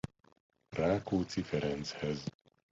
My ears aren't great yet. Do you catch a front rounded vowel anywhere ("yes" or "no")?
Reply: no